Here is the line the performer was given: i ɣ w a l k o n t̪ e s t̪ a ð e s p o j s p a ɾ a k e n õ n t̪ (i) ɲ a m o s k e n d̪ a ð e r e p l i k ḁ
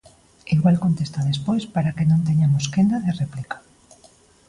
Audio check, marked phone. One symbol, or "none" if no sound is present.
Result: e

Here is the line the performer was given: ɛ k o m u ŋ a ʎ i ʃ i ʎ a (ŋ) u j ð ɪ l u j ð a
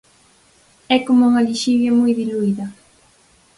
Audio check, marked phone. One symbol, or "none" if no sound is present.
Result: m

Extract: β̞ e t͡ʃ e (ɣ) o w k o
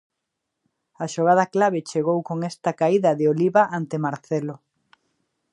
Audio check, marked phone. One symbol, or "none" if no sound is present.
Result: ɣ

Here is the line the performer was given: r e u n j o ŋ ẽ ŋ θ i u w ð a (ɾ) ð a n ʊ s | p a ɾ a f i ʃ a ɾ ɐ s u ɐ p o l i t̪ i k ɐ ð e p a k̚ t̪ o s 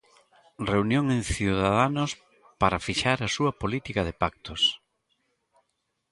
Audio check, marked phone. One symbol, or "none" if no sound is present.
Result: none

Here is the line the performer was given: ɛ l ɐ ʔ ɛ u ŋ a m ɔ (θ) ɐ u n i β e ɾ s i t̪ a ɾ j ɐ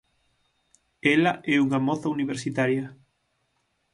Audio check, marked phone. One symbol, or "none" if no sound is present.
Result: θ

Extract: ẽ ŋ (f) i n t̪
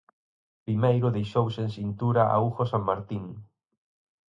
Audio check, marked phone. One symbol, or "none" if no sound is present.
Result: s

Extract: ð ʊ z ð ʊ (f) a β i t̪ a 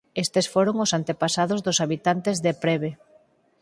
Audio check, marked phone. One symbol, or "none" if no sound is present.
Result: s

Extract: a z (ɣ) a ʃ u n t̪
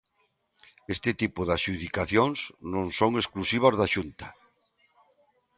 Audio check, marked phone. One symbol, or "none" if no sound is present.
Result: ð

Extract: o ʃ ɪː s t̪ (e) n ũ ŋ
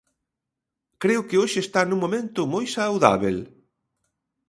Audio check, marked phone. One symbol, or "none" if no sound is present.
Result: a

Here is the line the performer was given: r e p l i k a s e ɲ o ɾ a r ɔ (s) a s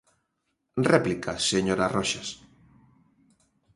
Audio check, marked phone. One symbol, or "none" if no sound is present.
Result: ʃ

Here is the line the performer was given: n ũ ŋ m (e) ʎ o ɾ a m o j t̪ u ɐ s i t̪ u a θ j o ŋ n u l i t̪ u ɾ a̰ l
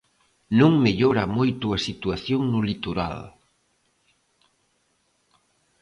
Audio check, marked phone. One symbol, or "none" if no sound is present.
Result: e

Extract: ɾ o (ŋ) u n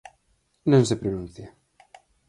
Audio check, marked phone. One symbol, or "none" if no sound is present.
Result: n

